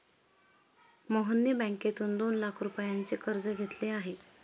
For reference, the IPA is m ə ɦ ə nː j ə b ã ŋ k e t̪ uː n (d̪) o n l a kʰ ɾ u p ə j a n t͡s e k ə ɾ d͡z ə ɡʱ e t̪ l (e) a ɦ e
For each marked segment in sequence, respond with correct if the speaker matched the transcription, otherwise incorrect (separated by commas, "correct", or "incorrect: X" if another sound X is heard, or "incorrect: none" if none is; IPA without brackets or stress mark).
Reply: correct, correct